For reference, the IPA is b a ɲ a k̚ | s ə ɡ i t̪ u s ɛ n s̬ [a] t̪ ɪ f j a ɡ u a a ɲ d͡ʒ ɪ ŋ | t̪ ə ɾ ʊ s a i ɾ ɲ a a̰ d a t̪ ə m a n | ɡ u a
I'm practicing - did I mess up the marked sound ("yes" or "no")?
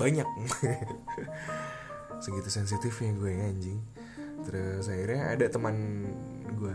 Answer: yes